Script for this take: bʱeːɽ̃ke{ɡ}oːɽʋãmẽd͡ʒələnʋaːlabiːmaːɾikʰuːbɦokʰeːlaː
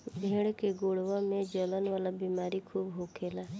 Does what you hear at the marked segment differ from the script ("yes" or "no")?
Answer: no